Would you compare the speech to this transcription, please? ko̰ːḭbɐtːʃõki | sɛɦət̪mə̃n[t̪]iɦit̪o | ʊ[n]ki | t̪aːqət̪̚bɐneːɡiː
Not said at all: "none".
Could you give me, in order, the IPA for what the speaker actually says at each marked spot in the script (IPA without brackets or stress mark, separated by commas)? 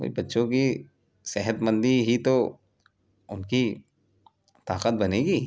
d̪, n